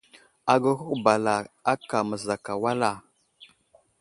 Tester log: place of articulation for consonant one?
velar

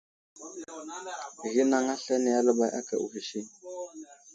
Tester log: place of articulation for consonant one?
velar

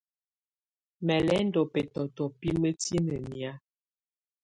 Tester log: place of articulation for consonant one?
labial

